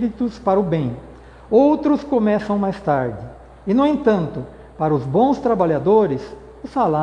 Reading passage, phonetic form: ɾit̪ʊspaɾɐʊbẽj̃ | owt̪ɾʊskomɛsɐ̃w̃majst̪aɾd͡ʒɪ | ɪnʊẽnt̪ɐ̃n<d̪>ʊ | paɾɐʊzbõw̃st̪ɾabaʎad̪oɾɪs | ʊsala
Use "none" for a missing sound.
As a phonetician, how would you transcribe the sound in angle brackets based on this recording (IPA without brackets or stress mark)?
t̪